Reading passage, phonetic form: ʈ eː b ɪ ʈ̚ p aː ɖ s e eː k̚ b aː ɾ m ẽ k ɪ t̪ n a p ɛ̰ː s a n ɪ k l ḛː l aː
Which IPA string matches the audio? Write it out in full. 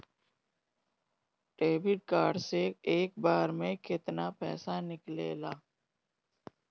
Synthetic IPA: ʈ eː b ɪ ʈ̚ k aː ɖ s e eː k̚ b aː ɾ m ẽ k ɪ t̪ n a p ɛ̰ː s a n ɪ k l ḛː l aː